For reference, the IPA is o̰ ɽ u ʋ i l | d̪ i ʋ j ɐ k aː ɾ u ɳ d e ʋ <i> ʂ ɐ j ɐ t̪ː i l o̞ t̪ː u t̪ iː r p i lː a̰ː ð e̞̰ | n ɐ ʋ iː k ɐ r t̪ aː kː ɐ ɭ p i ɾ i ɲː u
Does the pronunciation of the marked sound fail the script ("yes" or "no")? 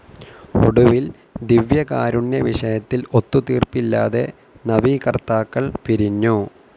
no